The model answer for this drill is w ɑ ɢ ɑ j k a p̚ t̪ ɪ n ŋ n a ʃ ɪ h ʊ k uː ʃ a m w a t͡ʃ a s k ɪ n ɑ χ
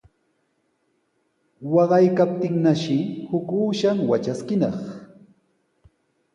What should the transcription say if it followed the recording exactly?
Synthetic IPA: w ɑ ɢ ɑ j k a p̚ t̪ ɪ ŋ n a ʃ ɪ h ʊ k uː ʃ a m w a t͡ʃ a s k ɪ n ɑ χ